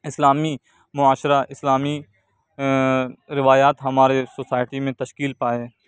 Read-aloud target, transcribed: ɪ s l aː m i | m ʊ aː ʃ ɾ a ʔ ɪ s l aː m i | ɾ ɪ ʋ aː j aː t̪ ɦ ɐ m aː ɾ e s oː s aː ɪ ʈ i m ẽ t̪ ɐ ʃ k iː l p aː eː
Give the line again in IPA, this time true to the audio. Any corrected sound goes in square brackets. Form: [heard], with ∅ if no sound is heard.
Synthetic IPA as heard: ɪ s l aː m i | m ʊ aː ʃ ɾ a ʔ ɪ s l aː m i | ɾ ɪ ʋ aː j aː t̪ ɦ ɐ m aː ɾ e s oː s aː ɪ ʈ i m ẽ t̪ ɐ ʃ k iː l p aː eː